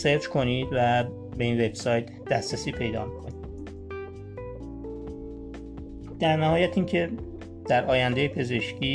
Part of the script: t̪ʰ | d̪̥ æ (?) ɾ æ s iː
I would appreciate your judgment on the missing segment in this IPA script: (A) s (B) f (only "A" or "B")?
A